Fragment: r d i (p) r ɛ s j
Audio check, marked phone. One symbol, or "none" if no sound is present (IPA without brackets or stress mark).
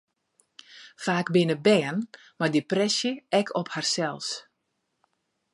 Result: p